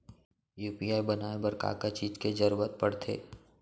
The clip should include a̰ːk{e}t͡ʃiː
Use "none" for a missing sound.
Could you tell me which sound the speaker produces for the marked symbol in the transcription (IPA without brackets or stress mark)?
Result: a